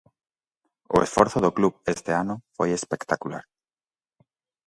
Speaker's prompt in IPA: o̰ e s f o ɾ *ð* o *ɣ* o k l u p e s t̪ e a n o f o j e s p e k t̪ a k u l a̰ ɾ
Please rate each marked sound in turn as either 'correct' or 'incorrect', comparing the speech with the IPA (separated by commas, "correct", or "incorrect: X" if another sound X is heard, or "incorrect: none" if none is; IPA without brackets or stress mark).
incorrect: θ, incorrect: ð